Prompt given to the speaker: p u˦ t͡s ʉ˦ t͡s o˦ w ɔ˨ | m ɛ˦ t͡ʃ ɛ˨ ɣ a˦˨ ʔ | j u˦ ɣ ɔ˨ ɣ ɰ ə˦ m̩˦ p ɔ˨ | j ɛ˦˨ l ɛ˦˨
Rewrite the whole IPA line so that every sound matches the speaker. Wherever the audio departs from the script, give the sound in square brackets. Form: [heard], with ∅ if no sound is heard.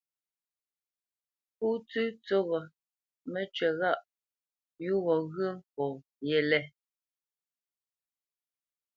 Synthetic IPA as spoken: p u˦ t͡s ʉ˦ t͡s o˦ [ɣ] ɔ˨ | m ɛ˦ t͡ʃ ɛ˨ ɣ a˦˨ ʔ | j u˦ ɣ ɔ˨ ɣ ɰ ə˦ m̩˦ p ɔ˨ | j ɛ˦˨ l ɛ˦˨